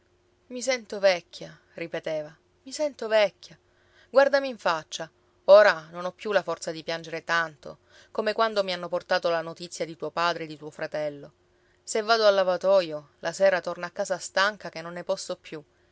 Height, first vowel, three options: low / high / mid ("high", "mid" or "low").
high